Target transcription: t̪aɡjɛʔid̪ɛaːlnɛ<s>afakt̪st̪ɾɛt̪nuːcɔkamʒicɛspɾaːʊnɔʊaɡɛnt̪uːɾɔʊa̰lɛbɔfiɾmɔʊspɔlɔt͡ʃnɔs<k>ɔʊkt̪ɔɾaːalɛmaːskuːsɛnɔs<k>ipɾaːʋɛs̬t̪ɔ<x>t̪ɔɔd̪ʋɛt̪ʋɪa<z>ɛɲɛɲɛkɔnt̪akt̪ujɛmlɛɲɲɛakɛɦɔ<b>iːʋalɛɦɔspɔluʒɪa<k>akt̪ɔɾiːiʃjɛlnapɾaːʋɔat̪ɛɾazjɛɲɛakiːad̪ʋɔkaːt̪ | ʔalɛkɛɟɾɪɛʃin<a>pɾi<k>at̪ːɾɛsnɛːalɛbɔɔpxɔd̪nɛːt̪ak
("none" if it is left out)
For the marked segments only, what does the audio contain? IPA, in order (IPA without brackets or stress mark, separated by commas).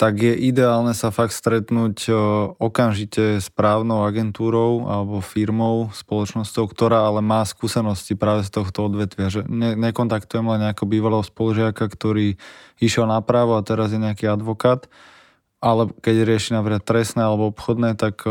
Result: s, c, c, x, ʒ, b, k, a, k